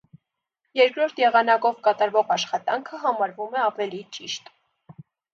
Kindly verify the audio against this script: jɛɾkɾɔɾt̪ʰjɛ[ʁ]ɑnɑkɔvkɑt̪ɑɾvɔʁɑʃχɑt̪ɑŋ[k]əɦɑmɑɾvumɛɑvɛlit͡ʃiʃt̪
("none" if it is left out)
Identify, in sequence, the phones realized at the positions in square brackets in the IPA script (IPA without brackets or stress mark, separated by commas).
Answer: ʁ, kʰ